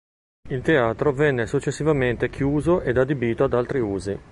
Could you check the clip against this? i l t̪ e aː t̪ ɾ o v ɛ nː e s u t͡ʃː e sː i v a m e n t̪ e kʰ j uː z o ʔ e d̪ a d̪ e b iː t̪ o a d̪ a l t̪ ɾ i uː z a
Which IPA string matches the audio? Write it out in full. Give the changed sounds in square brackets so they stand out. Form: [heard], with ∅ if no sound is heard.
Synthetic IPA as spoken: i l t̪ e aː t̪ ɾ o v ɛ nː e s u t͡ʃː e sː i v a m e n t̪ e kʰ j uː z o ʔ e d̪ a d̪ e b iː t̪ o a d̪ a l t̪ ɾ i uː z [i]